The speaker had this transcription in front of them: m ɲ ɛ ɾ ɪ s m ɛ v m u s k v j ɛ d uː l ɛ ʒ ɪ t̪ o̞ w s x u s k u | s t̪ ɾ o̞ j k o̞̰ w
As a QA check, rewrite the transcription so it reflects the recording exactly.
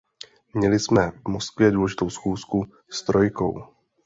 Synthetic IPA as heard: m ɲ ɛ l ɪ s m ɛ v m o s k v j ɛ d uː l ɛ ʒ ɪ t̪ o̞ w s x uː s k u | s t̪ ɾ o̞ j k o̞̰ w